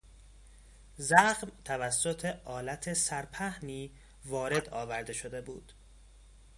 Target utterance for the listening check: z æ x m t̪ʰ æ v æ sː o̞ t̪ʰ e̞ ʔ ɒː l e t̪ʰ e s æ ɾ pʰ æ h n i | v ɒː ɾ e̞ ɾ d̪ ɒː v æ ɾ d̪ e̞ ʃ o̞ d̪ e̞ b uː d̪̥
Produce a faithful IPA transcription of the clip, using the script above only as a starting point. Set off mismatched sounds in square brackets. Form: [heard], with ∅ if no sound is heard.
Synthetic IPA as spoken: z æ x m t̪ʰ æ v æ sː o̞ t̪ʰ e̞ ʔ ɒː l [æ] t̪ʰ e s æ ɾ pʰ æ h n [iː] | v ɒː ɾ e̞ [∅] d̪ ɒː v æ ɾ d̪ e̞ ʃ o̞ d̪ e̞ b uː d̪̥